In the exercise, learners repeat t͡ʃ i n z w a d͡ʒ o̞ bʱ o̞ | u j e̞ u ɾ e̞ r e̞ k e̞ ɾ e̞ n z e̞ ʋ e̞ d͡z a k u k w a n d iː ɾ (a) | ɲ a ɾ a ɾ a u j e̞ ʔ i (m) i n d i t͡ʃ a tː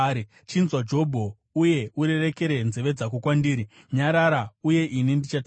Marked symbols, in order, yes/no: no, no

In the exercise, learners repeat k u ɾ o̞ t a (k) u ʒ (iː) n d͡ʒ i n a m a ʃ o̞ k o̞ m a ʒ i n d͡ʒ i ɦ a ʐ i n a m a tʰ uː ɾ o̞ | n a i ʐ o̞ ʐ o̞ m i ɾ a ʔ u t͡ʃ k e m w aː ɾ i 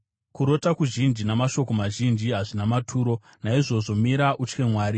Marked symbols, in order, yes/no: yes, no

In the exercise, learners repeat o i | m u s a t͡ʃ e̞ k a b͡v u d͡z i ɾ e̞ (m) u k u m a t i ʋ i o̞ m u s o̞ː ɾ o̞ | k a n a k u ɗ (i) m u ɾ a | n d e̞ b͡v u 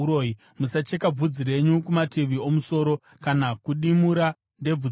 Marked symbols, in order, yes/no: no, yes

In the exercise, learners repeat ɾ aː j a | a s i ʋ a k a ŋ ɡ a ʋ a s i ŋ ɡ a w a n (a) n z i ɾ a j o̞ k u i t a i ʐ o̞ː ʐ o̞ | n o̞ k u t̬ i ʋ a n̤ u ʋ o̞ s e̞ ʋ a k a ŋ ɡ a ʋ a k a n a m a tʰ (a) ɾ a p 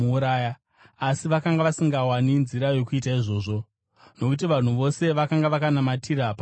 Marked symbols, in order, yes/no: no, no

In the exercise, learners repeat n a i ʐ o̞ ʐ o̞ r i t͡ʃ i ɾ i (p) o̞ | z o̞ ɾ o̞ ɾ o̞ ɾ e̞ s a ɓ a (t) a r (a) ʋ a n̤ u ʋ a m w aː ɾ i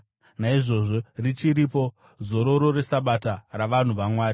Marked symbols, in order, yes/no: yes, yes, yes

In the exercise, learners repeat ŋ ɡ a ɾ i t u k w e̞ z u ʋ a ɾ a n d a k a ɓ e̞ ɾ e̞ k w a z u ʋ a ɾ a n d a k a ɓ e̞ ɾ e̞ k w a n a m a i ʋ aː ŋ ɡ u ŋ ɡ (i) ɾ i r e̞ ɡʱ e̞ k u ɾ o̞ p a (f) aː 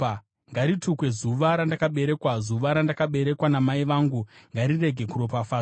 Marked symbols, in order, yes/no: no, yes

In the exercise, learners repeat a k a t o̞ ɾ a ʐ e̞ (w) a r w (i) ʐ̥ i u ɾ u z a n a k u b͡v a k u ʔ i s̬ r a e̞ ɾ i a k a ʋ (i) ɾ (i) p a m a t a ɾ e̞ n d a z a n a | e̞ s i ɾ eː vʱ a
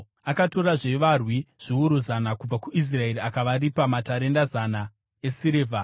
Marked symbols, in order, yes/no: no, yes, no, yes

